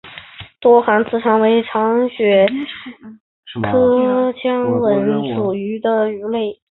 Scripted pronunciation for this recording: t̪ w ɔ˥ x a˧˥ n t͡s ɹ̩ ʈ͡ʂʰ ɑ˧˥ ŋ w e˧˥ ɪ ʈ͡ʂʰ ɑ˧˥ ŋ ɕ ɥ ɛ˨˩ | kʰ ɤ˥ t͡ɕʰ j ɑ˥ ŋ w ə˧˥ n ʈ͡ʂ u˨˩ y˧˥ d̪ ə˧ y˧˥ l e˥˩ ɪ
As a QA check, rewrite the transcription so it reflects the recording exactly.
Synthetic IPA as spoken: t̪ w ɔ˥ x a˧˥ n t͡s ɹ̩ ʈ͡ʂʰ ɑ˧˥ ŋ w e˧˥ ɪ ʈ͡ʂʰ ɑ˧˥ ŋ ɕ ɥ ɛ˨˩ | kʰ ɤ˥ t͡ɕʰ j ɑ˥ ŋ w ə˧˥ n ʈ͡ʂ u˨˩ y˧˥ d̪ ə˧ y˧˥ l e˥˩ ɪ